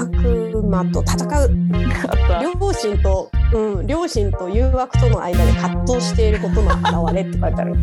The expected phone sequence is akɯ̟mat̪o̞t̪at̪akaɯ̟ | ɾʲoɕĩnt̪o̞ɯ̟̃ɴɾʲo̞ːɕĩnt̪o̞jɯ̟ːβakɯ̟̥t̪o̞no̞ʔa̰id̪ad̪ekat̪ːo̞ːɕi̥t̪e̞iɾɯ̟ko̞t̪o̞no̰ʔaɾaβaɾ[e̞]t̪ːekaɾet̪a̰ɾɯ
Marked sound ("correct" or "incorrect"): correct